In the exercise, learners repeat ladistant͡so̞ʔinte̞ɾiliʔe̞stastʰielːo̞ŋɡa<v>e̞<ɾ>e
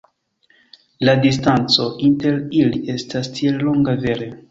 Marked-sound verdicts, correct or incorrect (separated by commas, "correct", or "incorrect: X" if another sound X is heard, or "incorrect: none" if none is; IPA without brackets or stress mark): correct, correct